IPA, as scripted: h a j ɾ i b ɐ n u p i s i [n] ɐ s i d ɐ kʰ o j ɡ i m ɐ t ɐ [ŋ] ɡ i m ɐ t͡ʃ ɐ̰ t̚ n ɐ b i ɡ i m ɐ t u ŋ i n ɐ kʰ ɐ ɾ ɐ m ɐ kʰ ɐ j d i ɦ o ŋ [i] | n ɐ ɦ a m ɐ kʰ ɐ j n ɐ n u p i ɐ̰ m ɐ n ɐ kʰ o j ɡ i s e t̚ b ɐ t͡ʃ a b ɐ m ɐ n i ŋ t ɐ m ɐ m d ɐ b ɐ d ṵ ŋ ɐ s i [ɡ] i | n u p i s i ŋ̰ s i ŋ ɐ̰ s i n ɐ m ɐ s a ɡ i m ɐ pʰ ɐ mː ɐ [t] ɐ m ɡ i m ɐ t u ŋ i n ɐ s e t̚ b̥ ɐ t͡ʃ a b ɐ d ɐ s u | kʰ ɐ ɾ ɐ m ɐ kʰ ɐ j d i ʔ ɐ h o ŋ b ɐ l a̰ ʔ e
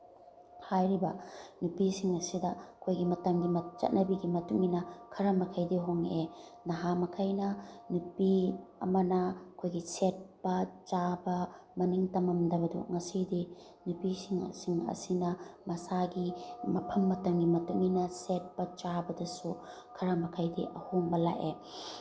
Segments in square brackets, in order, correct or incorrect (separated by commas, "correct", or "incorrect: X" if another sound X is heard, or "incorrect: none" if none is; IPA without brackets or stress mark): incorrect: ŋ, incorrect: m, incorrect: e, incorrect: d, correct